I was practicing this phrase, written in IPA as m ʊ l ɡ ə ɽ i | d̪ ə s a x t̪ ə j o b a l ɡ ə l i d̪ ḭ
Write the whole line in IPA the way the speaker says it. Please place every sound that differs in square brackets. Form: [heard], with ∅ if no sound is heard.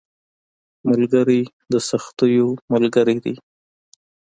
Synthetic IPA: m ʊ l ɡ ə [ɾ] i | d̪ ə s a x t̪ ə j o [m] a l ɡ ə [ɾ] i d̪ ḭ